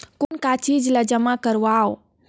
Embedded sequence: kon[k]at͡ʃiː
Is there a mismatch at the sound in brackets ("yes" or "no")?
no